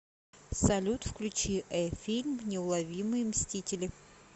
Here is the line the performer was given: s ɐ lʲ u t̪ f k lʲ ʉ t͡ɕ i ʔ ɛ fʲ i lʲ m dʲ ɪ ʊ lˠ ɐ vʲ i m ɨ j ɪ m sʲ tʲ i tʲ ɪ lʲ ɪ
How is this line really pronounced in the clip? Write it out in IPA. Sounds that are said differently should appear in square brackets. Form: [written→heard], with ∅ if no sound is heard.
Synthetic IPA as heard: s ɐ lʲ u t̪ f k lʲ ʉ t͡ɕ i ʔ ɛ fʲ i lʲ m [dʲ→nʲ] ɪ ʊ lˠ ɐ vʲ i m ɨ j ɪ m sʲ tʲ i tʲ ɪ lʲ ɪ

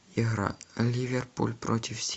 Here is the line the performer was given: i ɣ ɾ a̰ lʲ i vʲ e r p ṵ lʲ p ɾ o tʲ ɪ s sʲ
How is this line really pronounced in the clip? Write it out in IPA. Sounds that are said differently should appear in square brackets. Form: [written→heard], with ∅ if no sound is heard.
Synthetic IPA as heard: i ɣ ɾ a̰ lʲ i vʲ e r p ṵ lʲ p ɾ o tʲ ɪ [s→f] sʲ

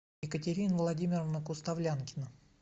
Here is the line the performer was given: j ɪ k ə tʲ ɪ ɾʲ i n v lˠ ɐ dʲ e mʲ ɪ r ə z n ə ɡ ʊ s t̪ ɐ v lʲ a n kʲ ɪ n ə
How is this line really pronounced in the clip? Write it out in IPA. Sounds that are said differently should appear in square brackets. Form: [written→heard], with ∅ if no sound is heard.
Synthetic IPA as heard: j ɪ k ə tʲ ɪ ɾʲ i n v lˠ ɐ dʲ [e→i] mʲ ɪ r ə [z→v] n ə [ɡ→k] ʊ s t̪ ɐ v lʲ a n kʲ ɪ n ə

